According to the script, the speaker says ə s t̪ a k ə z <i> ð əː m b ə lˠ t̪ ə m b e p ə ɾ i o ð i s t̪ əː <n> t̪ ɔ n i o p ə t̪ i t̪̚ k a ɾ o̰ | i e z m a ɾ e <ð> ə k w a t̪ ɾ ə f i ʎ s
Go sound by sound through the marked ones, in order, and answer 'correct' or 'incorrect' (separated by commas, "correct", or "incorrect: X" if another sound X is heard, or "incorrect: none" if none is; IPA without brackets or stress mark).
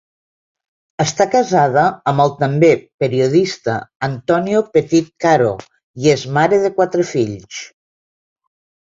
incorrect: a, correct, correct